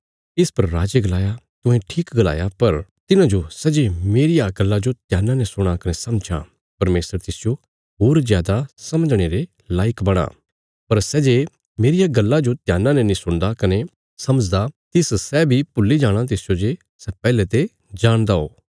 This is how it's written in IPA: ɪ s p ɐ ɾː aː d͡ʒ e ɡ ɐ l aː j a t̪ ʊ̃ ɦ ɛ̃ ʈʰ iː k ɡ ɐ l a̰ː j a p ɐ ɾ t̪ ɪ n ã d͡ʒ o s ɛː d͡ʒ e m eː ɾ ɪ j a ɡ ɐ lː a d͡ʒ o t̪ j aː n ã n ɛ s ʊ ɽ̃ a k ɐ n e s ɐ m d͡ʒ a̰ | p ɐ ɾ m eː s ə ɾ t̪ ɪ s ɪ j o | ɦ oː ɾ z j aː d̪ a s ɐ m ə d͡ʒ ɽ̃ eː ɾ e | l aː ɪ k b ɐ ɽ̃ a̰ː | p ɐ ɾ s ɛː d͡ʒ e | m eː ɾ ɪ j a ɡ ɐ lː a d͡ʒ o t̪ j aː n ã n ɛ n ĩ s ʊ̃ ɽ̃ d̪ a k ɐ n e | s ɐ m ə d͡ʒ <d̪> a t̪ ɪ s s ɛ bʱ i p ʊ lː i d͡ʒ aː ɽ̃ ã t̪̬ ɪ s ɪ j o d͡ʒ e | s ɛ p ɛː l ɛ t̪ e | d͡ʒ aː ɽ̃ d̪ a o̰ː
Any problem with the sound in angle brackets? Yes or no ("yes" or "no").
no